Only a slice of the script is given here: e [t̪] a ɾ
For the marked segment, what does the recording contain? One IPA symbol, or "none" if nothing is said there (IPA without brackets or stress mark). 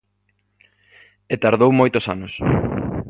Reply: t̪